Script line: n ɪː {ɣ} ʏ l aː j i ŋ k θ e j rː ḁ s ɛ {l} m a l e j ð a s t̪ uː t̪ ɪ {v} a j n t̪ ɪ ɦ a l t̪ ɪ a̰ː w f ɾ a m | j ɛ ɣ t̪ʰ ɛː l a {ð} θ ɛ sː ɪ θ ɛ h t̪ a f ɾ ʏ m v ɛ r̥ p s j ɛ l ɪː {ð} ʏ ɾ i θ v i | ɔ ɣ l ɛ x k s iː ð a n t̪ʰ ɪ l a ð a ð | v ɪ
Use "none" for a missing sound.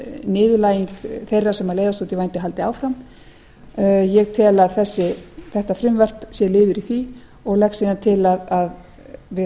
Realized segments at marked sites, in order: ð, none, v, ð, ð

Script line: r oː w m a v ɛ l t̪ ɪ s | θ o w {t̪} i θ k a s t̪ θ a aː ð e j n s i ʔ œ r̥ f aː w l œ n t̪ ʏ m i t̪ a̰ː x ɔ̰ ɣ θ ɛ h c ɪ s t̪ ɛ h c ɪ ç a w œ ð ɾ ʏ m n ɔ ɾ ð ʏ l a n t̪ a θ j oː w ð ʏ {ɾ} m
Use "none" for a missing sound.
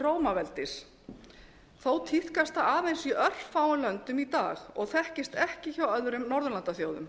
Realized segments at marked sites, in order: t̪ʰ, none

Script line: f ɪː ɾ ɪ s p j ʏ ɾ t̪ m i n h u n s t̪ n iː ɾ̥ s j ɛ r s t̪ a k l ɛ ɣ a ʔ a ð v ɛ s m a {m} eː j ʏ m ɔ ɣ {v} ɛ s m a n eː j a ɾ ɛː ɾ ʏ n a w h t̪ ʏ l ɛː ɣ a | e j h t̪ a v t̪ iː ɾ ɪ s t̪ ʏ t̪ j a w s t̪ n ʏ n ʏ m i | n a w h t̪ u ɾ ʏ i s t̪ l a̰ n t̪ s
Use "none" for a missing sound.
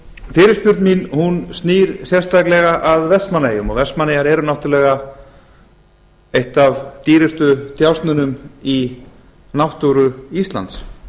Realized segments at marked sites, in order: n, v

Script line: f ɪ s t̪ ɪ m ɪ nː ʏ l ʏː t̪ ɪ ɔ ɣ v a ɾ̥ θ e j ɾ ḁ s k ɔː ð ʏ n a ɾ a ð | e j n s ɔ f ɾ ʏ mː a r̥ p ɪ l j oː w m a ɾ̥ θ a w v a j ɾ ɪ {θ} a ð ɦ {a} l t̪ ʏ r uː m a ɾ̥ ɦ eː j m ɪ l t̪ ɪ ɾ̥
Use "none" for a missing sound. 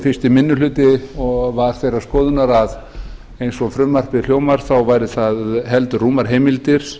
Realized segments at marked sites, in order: θ, ɛ

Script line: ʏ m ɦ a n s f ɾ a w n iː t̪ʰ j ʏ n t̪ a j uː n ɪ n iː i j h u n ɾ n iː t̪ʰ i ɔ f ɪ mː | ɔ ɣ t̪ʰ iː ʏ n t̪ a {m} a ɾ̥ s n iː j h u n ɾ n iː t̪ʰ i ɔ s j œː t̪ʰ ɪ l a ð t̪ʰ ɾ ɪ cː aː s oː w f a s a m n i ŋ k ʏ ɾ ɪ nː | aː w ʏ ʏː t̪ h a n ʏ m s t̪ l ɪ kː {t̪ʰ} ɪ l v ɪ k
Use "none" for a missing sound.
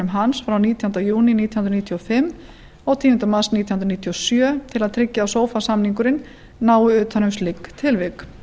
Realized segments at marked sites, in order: m, t̪ʰ

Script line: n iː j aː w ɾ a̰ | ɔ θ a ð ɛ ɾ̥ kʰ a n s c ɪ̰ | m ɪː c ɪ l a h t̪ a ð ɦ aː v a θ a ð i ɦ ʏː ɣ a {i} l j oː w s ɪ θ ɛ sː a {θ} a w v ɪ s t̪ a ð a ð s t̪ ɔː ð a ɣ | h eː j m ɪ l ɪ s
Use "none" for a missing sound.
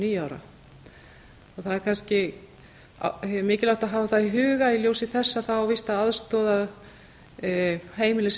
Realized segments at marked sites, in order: i, θ

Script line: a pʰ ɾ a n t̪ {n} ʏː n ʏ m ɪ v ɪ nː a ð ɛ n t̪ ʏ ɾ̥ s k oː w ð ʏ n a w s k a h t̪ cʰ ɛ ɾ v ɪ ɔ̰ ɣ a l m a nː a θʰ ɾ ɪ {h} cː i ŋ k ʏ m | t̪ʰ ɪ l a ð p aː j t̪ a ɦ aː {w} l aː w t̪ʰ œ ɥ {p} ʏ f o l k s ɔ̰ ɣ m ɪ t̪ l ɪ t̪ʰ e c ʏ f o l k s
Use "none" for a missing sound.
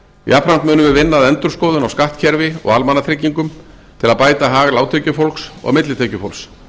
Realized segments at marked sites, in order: m, none, ɣ, c

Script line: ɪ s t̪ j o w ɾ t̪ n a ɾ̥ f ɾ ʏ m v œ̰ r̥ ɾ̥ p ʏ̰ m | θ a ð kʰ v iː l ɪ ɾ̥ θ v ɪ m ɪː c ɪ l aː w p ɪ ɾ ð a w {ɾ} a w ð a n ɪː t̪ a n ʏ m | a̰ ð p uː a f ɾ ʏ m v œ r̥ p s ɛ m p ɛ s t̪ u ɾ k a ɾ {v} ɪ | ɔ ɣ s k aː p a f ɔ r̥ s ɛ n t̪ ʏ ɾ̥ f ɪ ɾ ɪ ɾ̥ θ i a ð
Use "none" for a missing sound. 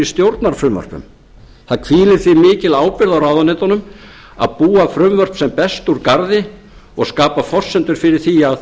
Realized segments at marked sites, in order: ɾ, ð

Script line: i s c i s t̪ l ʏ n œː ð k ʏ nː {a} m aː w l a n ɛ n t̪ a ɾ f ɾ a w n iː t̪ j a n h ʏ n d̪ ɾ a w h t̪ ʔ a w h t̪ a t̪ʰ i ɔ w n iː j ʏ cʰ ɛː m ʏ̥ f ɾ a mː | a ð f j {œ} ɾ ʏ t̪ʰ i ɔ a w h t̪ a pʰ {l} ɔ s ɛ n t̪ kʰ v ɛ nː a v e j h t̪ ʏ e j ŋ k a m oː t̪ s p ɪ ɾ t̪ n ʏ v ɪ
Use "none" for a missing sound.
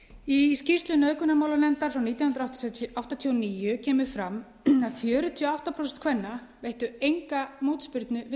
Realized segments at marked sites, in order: a, œː, ɾ

